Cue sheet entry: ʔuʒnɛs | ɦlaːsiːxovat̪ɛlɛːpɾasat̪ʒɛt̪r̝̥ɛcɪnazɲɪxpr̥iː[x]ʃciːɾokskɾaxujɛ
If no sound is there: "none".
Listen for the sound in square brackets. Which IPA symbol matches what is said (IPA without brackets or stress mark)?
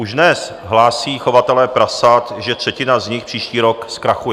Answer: none